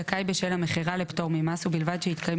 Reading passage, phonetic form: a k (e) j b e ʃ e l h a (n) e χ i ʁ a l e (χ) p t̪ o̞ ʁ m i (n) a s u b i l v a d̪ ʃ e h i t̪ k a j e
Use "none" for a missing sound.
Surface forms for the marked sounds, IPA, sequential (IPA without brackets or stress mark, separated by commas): a, m, none, m